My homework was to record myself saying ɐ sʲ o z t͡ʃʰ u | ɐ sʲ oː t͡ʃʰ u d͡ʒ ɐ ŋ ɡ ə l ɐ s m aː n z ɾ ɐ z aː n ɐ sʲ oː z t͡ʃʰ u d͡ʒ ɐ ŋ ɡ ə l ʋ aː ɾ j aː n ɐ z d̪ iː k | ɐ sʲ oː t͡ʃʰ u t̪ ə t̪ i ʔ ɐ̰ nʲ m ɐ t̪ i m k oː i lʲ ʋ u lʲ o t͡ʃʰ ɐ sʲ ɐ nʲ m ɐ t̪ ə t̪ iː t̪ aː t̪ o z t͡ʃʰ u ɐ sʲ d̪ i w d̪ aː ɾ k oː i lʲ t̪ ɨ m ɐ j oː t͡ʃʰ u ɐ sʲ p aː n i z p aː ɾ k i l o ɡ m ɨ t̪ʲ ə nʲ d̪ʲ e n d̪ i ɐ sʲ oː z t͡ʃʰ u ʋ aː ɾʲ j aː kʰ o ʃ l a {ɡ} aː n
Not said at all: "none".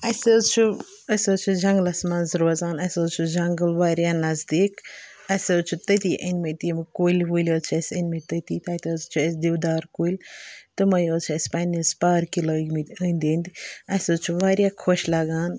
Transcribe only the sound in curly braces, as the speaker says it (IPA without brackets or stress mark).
ɡ